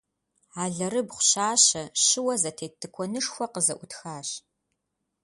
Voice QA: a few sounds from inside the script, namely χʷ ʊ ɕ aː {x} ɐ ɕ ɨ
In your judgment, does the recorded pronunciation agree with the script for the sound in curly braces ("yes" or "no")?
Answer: no